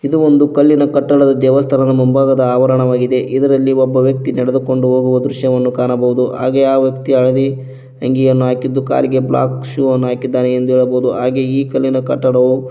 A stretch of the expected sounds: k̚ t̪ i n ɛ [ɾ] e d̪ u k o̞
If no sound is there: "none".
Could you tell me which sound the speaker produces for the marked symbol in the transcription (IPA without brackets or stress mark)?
ɽ